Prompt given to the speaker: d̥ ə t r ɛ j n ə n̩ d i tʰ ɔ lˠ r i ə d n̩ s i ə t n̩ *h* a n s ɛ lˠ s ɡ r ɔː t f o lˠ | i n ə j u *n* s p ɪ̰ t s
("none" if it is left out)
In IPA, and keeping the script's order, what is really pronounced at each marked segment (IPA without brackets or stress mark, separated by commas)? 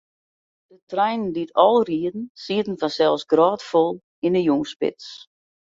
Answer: f, ŋ